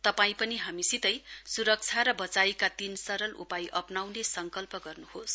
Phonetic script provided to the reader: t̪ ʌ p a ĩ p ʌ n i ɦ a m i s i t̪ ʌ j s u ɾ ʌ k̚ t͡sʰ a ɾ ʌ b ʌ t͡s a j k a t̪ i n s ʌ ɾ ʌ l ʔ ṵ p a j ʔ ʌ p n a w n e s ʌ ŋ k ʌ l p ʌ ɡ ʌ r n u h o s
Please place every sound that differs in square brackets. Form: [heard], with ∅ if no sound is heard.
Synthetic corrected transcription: t̪ ʌ p a ĩ p ʌ n i ɦ a m i s i t̪ ʌ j s u ɾ ʌ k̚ t͡sʰ a ɾ ʌ b ʌ t͡s a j k a t̪ i n s ʌ ɾ ʌ l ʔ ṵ p a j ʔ ʌ p n a w n e s ʌ ŋ k ʌ l p ʌ ɡ ʌ r n u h o s